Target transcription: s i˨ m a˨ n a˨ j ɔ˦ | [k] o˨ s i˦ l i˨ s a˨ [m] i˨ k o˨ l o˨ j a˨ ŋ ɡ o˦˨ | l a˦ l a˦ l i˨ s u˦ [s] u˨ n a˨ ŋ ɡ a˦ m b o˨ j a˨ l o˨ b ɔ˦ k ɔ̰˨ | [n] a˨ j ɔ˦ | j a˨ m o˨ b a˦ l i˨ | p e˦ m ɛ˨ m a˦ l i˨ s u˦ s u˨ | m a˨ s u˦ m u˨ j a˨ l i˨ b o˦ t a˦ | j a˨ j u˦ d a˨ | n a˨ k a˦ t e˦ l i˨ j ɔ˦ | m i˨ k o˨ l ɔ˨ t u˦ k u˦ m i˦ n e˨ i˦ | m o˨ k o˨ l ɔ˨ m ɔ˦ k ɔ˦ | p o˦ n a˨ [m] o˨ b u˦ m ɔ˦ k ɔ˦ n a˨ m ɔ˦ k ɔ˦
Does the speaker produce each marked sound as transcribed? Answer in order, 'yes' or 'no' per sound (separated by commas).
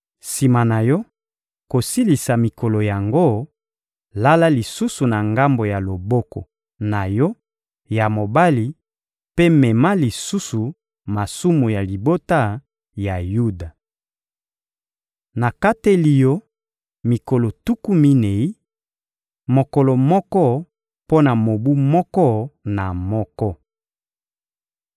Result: yes, yes, yes, yes, yes